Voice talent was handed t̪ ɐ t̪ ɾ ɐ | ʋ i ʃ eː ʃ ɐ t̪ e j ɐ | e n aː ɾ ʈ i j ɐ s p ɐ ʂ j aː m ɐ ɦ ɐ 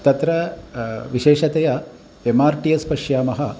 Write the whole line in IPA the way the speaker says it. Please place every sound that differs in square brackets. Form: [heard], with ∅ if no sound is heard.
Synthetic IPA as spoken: t̪ ɐ t̪ ɾ ɐ | ʋ i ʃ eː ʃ ɐ t̪ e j ɐ | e [m] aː ɾ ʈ i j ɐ s p ɐ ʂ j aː m ɐ ɦ ɐ

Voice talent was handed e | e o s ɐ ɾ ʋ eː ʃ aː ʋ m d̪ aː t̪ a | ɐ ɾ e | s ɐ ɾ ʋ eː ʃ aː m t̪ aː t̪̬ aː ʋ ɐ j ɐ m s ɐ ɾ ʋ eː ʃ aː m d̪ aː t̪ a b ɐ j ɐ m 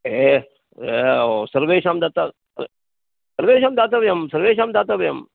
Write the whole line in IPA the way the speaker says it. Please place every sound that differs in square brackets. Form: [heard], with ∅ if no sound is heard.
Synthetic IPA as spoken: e | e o s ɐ ɾ ʋ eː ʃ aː [∅] m d̪ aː t̪ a | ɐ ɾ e | s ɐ ɾ ʋ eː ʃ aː m [d̪] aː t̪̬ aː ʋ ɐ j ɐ m s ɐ ɾ ʋ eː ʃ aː m d̪ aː t̪ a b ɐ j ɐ m

